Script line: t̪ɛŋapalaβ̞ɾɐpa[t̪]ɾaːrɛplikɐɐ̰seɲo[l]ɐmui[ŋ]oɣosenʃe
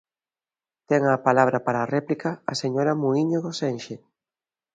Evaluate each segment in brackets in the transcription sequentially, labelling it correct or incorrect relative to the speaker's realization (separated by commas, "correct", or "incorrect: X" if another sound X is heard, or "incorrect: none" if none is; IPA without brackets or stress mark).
incorrect: none, incorrect: ɾ, incorrect: ɲ